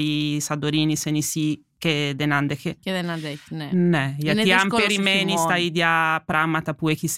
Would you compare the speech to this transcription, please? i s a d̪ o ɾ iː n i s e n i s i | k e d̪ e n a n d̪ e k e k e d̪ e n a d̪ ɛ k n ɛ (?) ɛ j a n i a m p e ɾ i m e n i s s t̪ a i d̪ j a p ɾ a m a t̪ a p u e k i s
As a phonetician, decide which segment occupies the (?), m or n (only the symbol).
n